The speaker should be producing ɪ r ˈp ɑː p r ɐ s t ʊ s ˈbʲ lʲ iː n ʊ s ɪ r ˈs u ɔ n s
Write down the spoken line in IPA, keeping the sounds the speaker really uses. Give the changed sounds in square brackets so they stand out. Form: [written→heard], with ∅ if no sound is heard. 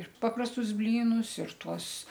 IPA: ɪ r ˈp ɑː p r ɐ s t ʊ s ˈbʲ lʲ iː n ʊ s ɪ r [ˈs→ˈt] u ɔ [n→∅] s